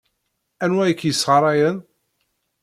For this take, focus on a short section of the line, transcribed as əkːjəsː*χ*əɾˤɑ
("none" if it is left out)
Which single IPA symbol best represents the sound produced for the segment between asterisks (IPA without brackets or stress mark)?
ʁ